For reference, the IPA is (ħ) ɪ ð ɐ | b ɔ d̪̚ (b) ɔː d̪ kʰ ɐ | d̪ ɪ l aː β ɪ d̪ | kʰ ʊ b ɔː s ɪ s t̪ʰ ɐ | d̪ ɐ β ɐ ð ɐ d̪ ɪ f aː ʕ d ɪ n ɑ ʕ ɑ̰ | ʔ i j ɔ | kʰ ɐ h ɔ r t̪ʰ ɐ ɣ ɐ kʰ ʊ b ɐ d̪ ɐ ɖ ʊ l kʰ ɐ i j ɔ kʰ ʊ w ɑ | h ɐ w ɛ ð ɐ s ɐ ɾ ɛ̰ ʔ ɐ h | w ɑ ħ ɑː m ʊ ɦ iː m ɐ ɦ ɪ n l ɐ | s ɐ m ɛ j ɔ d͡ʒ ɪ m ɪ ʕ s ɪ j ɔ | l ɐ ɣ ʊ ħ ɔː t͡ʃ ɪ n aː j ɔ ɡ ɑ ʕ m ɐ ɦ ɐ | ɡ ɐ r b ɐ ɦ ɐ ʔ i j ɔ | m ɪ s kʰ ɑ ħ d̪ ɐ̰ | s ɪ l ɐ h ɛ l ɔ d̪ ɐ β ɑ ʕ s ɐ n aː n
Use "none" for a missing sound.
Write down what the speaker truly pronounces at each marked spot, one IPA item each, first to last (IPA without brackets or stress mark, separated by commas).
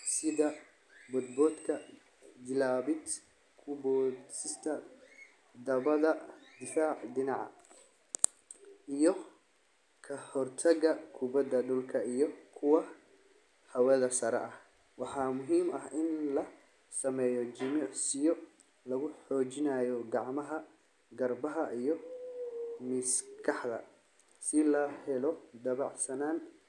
s, b